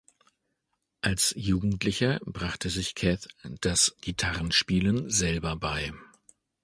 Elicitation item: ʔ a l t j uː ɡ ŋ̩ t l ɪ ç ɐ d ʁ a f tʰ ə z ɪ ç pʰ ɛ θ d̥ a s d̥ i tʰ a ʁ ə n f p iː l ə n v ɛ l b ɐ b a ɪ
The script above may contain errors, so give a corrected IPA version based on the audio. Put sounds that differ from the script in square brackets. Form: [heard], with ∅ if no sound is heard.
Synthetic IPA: ʔ a l [s] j uː ɡ ŋ̩ t l ɪ ç ɐ [b] ʁ a [χ] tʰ ə z ɪ ç [kʰ] ɛ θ d̥ a s [ɡ̥] i tʰ a ʁ ə n [ʃ] p iː l ə n [z] ɛ l b ɐ b a ɪ